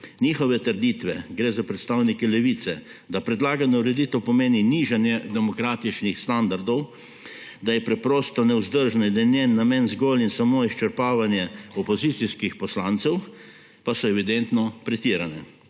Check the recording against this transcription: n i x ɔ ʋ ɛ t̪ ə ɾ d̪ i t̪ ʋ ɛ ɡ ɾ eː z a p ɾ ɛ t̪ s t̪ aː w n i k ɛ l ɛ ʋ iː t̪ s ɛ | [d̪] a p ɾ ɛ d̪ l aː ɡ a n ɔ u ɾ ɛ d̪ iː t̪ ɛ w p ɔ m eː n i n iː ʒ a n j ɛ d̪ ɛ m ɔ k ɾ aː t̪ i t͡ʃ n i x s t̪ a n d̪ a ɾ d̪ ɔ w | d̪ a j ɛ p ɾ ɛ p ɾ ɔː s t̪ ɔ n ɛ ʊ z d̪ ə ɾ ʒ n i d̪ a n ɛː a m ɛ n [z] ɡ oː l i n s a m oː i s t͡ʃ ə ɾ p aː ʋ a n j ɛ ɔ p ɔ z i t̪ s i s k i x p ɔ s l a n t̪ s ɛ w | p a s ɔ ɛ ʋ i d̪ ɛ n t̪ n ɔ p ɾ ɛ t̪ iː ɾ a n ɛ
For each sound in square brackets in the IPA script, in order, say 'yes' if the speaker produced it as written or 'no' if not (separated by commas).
yes, yes